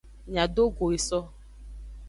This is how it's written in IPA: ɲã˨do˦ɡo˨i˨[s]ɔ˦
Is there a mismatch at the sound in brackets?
no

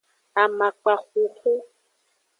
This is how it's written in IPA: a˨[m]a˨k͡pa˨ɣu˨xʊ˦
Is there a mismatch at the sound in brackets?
no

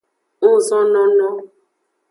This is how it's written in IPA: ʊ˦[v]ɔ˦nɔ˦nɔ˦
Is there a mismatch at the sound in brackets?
yes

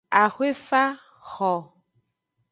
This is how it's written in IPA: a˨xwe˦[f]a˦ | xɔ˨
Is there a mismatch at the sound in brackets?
no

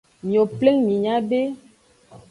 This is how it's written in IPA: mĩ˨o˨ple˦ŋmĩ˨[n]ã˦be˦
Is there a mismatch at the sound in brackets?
yes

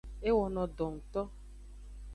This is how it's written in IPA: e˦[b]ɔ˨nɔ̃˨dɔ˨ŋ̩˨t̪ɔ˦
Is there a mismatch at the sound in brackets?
yes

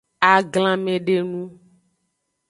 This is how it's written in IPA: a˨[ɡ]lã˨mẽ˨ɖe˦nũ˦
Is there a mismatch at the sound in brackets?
no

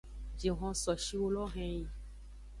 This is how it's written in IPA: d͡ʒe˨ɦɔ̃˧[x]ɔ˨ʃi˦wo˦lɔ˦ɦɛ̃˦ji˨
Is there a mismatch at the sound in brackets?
yes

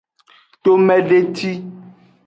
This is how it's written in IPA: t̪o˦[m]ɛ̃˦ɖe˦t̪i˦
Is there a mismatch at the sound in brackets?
no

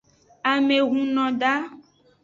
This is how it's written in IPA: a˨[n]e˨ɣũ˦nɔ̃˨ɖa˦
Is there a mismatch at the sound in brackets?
yes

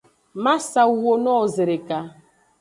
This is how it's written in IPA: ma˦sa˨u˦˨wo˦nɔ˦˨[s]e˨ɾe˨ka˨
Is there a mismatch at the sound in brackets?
yes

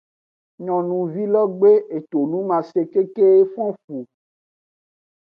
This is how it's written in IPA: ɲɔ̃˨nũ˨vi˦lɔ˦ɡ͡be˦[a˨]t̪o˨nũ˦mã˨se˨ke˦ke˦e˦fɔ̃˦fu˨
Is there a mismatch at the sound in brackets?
yes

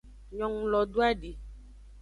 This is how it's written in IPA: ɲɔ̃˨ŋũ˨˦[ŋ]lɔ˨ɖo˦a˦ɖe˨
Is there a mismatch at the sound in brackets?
yes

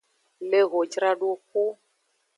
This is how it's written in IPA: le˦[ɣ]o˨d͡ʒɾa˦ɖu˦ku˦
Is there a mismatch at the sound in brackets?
no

